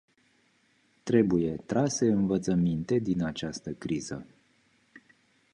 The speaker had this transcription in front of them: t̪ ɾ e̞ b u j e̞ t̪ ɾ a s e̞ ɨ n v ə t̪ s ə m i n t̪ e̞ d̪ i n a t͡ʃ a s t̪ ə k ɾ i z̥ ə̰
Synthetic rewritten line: t̪ ɾ e̞ b u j e̞ t̪ ɾ a s e̞ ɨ n v ə t̪ s ə m i n t̪ e̞ d̪ i n a t͡ʃ a s t̪ ə k ɾ i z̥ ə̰